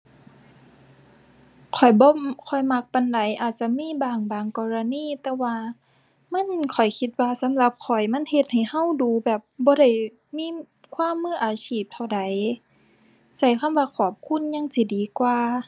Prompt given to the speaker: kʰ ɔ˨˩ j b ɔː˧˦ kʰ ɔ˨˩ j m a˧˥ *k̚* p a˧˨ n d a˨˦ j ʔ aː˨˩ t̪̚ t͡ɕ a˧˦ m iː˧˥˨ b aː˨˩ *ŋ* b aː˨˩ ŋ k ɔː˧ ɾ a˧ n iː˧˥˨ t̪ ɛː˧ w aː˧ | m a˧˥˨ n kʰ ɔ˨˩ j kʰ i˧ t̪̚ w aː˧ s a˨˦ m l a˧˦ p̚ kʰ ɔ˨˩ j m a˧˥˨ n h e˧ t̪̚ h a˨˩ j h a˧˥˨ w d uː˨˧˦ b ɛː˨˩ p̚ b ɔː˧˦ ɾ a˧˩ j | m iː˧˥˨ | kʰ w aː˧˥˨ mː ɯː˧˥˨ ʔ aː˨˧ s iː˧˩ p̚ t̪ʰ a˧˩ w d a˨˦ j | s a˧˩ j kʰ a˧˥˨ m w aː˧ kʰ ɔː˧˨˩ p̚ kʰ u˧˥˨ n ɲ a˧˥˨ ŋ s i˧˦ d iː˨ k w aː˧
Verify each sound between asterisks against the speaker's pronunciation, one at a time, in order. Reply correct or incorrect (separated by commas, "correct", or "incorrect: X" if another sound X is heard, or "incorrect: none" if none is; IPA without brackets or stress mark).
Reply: correct, correct